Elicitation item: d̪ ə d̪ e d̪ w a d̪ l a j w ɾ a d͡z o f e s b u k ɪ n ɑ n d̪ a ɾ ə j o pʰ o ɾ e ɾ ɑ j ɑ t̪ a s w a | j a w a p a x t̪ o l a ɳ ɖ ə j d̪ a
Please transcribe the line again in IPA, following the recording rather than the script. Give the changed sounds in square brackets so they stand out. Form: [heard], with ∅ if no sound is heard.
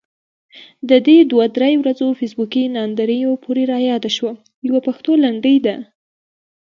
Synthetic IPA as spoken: d̪ ə d̪ e d̪ w a d̪ [ɾ] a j w ɾ a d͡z o f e s b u k [i] n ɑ n d̪ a ɾ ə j o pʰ o ɾ e ɾ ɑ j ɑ [d̪] a [ʃ] w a | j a w a p a x t̪ o l a ɳ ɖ ə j d̪ a